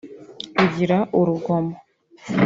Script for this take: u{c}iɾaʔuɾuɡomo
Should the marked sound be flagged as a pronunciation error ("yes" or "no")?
yes